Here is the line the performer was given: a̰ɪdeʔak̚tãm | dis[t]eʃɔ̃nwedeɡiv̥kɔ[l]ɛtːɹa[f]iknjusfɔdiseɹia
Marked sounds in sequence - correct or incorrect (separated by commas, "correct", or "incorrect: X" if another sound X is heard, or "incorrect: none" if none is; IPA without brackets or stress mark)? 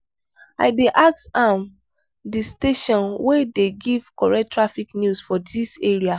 correct, incorrect: ɹ, correct